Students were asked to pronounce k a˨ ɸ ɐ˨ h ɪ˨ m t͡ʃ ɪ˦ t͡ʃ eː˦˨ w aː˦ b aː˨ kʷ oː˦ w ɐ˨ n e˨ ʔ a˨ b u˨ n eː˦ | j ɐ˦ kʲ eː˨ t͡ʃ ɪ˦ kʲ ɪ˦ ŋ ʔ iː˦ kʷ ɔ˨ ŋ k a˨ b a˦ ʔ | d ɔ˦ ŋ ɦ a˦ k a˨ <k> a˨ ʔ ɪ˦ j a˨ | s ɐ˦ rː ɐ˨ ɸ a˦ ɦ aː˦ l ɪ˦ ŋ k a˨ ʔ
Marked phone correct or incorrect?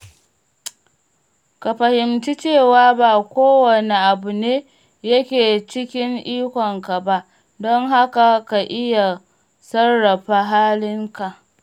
correct